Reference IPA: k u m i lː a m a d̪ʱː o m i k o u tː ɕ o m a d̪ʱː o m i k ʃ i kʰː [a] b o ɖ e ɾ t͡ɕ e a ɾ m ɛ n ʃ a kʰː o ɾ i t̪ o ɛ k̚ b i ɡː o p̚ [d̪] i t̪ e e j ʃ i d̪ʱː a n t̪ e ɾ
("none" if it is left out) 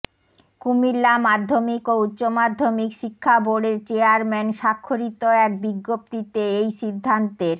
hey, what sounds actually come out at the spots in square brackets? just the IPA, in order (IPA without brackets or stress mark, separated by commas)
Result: a, t̪